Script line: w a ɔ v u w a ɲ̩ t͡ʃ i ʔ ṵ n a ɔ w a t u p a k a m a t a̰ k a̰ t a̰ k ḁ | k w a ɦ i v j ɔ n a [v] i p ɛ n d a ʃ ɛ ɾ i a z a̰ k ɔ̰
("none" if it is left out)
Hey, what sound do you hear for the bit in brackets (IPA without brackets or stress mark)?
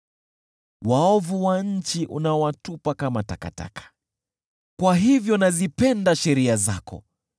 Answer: z